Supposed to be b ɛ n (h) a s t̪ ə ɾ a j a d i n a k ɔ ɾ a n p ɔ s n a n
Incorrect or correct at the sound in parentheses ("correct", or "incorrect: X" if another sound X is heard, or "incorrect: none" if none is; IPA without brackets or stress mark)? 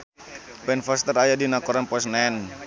incorrect: f